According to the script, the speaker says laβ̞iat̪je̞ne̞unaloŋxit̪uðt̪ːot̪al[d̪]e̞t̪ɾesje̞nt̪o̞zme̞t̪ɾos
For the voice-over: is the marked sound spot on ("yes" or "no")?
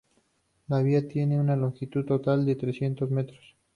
yes